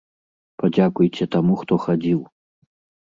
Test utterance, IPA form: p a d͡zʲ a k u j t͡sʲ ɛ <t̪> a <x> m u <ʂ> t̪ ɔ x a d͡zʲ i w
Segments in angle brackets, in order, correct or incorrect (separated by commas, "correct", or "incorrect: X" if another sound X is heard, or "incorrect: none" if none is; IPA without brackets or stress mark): correct, incorrect: none, incorrect: x